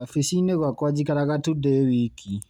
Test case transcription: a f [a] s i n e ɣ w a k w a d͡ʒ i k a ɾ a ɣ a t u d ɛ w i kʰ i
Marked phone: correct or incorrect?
incorrect